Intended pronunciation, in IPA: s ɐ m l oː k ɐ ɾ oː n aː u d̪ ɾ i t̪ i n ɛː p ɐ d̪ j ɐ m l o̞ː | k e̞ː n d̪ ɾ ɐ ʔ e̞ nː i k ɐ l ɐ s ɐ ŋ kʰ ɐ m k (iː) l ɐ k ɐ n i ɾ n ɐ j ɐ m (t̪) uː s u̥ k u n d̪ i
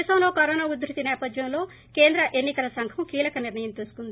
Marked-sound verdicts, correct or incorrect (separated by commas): correct, correct